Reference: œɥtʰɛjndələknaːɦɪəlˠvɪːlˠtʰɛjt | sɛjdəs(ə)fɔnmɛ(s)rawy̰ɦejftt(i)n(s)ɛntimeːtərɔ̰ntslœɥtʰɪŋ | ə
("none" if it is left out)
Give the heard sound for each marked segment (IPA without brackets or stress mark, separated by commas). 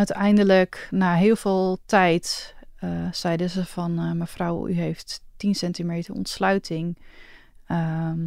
ə, f, i, s